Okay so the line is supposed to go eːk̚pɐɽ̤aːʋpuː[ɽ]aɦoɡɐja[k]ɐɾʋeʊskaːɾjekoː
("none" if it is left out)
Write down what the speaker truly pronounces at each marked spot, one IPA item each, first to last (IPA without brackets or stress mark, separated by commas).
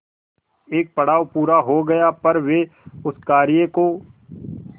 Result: ɾ, p